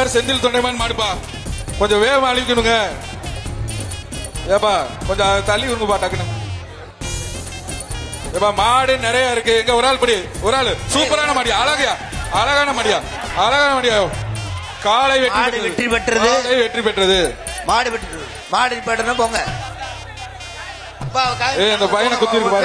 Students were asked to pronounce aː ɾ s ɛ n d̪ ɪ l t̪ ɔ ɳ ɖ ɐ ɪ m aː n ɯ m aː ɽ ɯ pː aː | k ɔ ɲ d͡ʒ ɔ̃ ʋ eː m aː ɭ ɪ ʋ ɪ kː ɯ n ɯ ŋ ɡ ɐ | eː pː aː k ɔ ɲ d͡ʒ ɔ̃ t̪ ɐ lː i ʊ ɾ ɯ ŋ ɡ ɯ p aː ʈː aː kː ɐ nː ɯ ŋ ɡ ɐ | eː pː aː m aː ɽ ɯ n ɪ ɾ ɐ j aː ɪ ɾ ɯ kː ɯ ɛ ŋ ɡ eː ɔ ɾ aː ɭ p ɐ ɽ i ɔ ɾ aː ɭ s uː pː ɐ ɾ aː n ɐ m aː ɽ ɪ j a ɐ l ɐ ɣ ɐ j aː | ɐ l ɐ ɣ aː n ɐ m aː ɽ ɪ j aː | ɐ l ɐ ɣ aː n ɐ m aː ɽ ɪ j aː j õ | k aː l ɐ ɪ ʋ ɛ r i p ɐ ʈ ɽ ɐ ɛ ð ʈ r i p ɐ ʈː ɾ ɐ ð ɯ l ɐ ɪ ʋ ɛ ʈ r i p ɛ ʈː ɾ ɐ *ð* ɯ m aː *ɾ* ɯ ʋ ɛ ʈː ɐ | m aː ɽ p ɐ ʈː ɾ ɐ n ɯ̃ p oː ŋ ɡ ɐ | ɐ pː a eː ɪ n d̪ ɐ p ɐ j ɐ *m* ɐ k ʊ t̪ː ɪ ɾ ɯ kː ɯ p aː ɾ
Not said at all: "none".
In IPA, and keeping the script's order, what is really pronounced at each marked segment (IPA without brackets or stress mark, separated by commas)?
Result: ð, ɽ, n